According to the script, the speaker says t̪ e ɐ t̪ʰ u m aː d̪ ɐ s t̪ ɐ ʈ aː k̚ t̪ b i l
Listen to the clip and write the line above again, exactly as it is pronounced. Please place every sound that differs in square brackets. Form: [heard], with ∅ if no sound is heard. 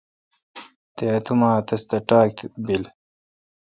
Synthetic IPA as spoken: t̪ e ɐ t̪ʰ u m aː [t̪] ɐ s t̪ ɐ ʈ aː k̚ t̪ b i l